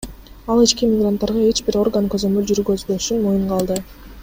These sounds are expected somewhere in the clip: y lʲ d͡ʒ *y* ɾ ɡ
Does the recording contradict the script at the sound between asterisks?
no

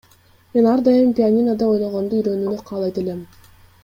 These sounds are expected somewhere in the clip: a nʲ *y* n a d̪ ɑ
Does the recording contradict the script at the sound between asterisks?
yes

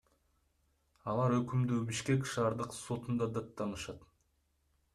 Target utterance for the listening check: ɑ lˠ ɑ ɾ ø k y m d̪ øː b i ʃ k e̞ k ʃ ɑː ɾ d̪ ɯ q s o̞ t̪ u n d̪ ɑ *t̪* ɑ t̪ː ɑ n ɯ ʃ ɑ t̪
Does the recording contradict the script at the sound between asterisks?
yes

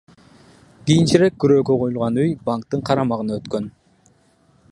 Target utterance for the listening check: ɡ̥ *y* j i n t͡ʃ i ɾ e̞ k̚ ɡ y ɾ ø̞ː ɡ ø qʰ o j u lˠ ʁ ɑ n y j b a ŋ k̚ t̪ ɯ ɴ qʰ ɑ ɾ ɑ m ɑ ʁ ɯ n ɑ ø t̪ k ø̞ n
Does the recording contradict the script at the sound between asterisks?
yes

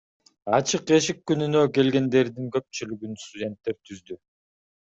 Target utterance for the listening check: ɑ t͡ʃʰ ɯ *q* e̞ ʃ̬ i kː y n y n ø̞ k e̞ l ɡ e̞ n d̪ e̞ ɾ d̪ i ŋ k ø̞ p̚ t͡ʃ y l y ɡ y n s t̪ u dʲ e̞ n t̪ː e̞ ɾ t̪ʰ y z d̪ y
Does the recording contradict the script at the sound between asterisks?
no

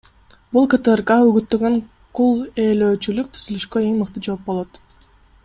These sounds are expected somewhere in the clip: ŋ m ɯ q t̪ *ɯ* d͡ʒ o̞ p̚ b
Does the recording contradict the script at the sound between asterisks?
no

